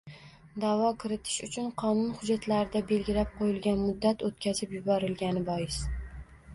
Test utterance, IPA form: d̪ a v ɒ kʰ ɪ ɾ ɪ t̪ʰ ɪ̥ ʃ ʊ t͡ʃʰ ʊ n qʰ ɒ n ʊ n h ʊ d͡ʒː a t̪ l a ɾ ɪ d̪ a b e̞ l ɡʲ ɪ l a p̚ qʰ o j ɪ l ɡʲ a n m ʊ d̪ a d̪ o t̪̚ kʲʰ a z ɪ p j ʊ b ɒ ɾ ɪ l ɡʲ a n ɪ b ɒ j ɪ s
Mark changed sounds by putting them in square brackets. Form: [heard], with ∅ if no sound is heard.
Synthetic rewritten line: d̪ a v ɒ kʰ ɪ ɾ ɪ t̪ʰ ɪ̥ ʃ ʊ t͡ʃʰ ʊ n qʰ ɒ n ʊ n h ʊ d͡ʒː a t̪ l a ɾ ɪ d̪ a b e̞ l ɡʲ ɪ l a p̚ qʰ o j ɪ l ɡʲ a n m ʊ [d̪ː] a [t̪] o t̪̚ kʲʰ a z ɪ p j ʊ b ɒ ɾ ɪ l ɡʲ a n ɪ b ɒ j ɪ s